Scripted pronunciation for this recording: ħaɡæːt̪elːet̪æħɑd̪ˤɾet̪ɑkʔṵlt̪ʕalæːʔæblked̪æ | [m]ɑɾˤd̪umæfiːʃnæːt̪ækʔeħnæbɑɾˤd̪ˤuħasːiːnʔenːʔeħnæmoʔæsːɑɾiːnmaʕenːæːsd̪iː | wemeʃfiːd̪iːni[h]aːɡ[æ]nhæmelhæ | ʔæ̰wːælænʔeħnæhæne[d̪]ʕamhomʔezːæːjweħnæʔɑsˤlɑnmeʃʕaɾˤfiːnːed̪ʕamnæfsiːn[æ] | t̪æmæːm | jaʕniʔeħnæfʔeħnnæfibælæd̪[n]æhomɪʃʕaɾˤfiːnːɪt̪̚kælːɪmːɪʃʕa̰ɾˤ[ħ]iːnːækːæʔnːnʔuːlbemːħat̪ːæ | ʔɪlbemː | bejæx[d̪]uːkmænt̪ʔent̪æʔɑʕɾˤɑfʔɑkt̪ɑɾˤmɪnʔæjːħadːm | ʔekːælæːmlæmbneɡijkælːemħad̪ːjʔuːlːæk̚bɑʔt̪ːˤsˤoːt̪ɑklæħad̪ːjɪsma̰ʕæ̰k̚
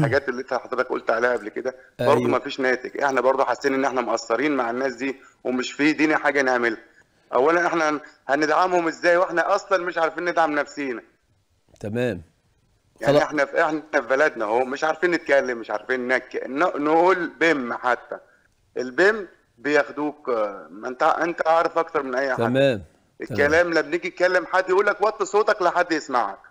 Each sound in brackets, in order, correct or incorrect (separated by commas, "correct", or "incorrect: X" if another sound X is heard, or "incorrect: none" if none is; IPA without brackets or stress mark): incorrect: b, incorrect: ħ, correct, correct, correct, correct, incorrect: f, correct